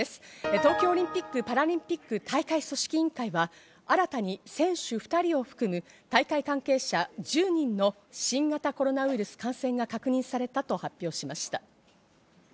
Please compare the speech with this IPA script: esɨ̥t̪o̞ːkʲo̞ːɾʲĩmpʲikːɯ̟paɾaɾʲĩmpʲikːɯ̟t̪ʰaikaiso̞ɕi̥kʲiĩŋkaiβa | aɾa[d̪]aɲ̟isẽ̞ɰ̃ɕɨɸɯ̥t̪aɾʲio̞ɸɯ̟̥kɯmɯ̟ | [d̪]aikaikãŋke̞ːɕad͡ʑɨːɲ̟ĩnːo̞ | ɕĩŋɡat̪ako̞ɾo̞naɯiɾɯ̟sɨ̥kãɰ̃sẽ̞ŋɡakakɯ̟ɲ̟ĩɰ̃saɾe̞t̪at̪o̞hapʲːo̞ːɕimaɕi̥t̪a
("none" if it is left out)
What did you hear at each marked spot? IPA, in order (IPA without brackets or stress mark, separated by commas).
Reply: t̪, t̪